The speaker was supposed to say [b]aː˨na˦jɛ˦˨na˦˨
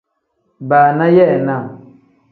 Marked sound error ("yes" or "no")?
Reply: no